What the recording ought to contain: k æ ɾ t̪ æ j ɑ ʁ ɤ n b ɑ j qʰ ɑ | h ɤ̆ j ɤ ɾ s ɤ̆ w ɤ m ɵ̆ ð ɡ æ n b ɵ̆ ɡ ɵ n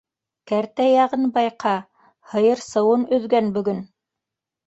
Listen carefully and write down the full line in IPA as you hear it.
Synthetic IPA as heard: k æ ɾ t̪ æ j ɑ ʁ ɤ n b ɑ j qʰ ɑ | h ɤ̆ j ɤ ɾ s ɤ̆ w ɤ n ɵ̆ ð ɡ æ n b ɵ̆ ɡ ɵ n